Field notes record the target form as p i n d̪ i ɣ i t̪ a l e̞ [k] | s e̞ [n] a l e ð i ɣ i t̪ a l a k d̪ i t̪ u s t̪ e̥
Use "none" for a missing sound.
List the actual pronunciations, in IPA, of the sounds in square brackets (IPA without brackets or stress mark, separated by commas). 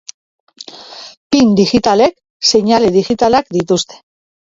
k, ɲ